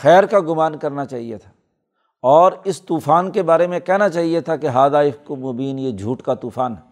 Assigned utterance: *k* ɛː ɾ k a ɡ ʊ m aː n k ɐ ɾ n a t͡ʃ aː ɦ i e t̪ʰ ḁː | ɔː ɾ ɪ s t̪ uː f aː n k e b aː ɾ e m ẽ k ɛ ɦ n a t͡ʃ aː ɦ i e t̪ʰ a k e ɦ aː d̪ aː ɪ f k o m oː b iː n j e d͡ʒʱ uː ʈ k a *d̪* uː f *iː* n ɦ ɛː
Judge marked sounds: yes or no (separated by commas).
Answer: no, no, no